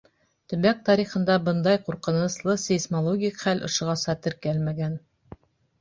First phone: t̪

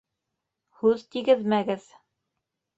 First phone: h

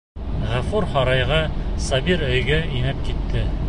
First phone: ʁ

